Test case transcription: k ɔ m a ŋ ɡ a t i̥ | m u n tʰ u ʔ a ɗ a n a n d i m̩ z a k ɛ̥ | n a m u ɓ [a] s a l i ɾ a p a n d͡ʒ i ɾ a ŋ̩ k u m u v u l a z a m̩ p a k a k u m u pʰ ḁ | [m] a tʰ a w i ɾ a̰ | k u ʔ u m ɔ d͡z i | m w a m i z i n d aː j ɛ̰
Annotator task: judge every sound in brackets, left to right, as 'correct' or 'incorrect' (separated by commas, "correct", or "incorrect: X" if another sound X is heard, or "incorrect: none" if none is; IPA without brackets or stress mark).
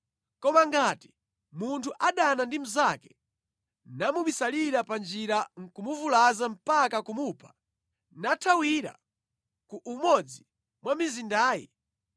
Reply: incorrect: i, incorrect: n